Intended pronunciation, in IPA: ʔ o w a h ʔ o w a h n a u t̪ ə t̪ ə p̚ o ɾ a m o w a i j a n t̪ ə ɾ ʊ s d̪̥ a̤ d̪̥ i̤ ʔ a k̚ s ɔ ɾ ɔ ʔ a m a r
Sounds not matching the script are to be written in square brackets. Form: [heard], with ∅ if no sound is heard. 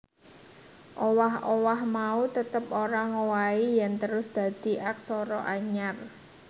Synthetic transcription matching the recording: ʔ o w a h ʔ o w a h [m] a u t̪ ə t̪ ə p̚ o ɾ a [ŋ] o w a i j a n t̪ ə ɾ ʊ s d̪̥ a̤ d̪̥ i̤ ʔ a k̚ s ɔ ɾ ɔ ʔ a [ɲ] a r